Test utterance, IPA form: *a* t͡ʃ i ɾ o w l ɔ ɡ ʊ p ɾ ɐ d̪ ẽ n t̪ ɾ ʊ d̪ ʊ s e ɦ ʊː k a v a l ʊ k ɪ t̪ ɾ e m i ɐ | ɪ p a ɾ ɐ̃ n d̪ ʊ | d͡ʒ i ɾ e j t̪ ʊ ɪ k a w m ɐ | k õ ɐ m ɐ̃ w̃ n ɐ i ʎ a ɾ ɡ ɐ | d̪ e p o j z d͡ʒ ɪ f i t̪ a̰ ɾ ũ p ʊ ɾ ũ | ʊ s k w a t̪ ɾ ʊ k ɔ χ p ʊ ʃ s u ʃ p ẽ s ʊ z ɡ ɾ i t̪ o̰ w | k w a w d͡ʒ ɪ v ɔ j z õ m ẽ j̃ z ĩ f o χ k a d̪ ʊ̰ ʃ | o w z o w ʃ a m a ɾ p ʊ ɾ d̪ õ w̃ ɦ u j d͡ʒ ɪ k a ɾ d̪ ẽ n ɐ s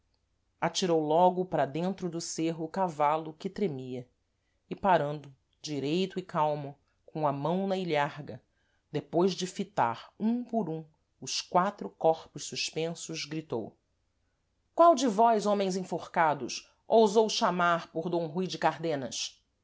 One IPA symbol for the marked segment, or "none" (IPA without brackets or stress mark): a